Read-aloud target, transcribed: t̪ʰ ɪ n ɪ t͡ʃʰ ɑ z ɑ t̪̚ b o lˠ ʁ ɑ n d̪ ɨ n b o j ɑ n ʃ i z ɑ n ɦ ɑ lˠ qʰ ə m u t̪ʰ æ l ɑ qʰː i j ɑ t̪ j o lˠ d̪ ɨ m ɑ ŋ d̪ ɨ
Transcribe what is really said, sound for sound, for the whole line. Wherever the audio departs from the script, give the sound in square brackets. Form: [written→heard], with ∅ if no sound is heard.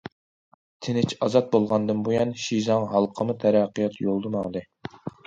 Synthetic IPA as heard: t̪ʰ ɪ n ɪ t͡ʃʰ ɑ z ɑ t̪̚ b o lˠ ʁ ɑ n d̪ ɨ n b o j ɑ n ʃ i z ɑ [n→ŋ] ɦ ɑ lˠ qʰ ə m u t̪ʰ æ [l→ɾ] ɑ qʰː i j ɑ t̪ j o lˠ d̪ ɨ m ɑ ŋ d̪ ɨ